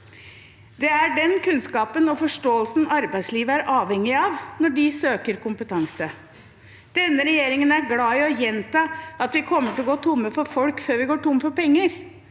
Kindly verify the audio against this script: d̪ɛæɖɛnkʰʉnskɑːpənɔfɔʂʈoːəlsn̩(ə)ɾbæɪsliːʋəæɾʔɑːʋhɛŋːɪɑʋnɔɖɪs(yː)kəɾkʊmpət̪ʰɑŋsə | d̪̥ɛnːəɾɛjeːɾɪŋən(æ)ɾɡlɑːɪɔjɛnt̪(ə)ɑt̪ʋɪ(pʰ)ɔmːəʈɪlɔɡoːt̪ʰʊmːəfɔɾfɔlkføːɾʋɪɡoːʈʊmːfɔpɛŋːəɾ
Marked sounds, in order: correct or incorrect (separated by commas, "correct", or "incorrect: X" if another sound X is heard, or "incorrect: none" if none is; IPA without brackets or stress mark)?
incorrect: ɑ, incorrect: øː, correct, incorrect: ɑ, incorrect: kʰ